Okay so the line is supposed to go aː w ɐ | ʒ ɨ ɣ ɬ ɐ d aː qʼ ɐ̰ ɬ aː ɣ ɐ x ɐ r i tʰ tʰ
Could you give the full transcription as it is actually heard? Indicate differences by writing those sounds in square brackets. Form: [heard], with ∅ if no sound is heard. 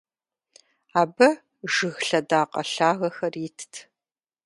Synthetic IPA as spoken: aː [b] ɐ | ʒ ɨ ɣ ɬ ɐ d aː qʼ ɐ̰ ɬ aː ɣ ɐ x ɐ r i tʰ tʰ